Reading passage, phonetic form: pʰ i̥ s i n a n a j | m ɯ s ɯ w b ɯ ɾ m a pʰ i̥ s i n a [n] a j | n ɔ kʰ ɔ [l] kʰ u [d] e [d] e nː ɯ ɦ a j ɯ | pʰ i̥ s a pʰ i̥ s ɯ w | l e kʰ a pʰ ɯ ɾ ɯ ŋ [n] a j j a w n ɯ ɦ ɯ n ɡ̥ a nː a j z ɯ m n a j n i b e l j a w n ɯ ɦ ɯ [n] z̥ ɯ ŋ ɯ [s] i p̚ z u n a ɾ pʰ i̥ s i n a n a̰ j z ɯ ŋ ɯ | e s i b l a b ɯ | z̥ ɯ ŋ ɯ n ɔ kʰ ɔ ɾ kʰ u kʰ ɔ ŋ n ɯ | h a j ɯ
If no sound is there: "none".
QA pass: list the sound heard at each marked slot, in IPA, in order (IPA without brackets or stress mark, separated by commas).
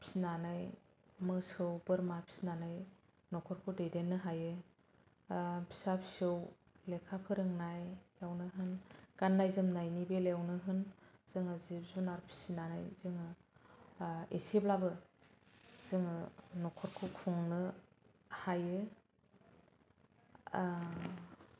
n, ɾ, d, d, n, n, z